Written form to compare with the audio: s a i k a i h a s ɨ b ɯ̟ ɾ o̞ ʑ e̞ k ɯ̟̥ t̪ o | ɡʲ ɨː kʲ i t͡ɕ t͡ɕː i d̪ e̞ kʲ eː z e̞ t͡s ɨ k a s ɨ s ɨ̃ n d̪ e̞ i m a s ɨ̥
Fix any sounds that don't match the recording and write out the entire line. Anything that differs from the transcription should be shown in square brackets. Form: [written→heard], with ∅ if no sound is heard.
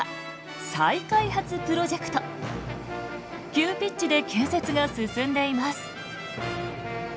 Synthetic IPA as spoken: s a i k a i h a [s→t͡s] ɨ [b→p] ɯ̟ ɾ o̞ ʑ e̞ k ɯ̟̥ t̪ o | [ɡʲ→kʲ] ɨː [kʲ→pʲ] i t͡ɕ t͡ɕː i d̪ e̞ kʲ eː [z→s] e̞ t͡s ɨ [k→ɡ] a s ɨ s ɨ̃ n d̪ e̞ i m a s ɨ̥